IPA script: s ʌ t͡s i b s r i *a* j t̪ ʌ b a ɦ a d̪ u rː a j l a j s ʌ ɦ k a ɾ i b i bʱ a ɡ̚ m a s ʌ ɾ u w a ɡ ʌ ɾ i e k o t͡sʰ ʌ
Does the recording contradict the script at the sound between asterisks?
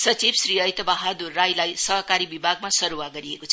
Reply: yes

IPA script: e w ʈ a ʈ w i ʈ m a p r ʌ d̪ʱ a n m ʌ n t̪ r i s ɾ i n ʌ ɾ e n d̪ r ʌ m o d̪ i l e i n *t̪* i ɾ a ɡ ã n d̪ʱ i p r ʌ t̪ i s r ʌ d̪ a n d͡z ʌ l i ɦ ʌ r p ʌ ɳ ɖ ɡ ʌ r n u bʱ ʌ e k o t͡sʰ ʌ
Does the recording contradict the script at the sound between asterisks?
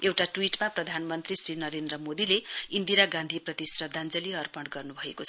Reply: yes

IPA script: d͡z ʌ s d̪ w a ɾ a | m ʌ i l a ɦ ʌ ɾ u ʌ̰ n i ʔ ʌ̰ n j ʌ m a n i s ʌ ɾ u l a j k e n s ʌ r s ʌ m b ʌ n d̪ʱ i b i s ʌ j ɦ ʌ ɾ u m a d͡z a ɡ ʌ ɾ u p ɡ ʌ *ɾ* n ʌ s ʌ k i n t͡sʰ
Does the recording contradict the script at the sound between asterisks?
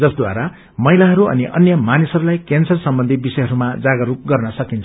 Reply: yes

